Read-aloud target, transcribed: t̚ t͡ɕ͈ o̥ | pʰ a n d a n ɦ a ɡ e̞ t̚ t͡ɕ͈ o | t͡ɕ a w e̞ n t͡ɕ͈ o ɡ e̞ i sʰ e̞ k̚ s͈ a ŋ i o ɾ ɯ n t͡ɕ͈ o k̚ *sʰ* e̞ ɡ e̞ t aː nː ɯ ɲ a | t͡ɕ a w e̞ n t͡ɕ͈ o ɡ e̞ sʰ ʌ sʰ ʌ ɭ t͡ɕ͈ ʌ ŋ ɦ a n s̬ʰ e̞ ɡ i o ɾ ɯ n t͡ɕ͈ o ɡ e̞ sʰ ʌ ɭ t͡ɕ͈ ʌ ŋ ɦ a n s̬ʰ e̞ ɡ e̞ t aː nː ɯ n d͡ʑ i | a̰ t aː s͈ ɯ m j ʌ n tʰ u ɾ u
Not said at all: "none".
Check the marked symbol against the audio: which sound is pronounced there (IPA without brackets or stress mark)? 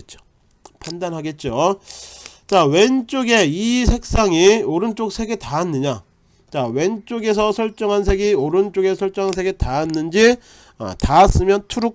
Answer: sʰ